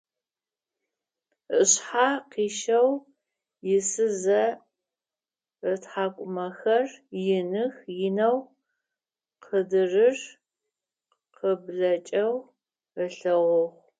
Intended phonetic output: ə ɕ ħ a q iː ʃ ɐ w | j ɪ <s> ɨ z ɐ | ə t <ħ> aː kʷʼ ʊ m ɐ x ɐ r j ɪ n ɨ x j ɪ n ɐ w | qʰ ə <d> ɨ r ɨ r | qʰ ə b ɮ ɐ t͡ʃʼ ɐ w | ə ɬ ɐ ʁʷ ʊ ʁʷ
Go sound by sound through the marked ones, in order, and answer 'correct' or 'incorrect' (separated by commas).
correct, correct, correct